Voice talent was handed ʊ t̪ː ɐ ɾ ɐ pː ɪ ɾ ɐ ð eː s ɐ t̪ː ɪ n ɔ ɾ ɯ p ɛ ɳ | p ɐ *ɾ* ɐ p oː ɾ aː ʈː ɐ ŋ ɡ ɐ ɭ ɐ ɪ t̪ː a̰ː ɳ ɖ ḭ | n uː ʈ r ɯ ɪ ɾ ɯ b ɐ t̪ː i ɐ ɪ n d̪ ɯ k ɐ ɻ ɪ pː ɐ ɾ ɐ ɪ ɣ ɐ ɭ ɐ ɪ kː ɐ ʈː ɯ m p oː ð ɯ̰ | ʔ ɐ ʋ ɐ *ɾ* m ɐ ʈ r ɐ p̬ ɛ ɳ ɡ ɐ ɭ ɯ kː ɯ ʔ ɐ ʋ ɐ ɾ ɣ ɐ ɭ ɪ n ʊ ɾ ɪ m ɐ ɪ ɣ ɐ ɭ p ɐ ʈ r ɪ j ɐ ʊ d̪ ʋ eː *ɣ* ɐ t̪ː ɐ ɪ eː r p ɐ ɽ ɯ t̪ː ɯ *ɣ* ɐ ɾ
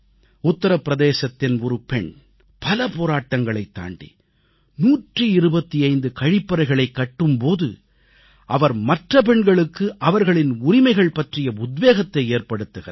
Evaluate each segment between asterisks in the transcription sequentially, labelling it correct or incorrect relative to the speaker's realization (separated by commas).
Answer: incorrect, correct, correct, correct